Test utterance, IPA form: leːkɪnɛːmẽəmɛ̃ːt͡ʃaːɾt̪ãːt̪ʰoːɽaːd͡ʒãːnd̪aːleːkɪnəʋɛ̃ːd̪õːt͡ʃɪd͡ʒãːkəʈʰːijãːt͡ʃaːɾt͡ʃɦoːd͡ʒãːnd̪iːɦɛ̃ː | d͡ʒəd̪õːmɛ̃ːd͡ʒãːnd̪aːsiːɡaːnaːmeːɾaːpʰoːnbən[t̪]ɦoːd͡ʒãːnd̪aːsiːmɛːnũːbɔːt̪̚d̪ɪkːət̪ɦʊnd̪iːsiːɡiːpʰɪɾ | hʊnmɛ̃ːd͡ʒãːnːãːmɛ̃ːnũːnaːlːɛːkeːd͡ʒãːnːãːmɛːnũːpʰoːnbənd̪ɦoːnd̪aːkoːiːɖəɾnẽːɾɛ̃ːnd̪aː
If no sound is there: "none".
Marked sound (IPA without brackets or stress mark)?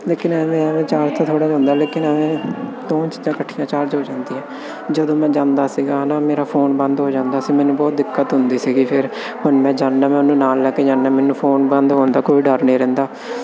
d̪